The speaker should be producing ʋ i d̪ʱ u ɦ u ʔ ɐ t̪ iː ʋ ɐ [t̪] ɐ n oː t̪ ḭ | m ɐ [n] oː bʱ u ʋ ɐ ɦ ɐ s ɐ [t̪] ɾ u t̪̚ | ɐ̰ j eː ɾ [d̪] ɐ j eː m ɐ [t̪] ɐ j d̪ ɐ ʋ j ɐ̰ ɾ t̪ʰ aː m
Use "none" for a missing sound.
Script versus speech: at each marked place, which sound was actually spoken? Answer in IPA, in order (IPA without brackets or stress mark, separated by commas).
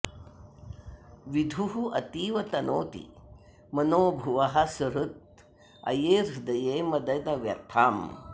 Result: t̪, n, none, d̪, d̪